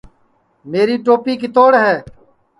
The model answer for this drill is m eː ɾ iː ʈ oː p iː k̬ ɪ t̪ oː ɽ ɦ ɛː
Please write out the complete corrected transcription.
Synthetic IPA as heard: m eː ɾ iː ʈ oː p iː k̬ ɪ t̪ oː ɽ ɦ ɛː